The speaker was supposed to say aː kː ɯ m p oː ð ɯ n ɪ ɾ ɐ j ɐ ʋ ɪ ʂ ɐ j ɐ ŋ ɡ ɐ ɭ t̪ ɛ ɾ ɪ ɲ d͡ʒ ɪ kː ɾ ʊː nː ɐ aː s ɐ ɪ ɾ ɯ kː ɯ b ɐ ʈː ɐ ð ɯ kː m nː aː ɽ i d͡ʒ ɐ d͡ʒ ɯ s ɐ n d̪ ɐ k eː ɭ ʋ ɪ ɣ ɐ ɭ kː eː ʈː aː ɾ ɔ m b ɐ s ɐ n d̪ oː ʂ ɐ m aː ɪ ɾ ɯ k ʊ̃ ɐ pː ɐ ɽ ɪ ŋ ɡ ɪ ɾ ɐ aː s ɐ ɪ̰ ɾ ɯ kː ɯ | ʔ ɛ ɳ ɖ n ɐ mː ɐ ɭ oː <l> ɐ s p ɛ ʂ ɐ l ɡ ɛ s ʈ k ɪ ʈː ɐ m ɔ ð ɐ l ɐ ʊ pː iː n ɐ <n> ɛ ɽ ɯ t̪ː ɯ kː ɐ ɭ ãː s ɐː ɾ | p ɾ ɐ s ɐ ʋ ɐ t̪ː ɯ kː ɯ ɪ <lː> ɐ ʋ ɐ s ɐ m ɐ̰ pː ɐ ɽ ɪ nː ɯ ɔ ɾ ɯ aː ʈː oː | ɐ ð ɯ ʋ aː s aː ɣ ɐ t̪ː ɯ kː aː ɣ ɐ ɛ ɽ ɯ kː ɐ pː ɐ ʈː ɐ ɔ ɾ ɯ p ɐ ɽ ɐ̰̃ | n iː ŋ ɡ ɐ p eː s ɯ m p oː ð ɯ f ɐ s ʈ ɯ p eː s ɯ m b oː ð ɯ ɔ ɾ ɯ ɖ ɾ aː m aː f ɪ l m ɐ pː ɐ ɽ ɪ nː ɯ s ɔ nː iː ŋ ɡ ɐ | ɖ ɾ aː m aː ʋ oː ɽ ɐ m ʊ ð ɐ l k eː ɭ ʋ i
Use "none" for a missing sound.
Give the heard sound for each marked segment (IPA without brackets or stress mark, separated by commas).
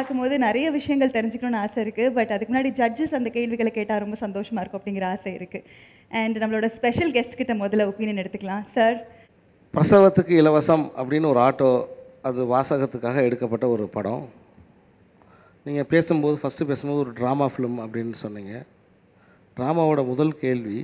ɽ, n, l